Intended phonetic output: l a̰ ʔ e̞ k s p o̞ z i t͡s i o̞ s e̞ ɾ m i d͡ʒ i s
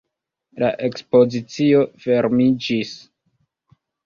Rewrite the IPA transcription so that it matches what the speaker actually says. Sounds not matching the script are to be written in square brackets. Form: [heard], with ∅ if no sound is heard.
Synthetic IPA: l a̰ ʔ e̞ k s p o̞ z i t͡s i o̞ [f] e̞ ɾ m i d͡ʒ i s